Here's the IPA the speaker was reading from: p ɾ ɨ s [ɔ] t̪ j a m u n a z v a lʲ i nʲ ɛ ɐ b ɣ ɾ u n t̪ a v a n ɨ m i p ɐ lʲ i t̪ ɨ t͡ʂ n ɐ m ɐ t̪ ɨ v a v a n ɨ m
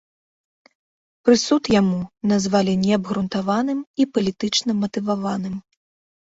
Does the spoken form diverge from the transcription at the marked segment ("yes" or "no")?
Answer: yes